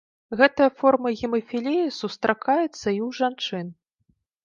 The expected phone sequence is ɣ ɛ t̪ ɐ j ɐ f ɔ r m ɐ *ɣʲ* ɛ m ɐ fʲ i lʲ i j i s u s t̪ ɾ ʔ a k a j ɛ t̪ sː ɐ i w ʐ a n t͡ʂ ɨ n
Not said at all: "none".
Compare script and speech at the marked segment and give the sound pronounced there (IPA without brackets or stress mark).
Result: ɣʲ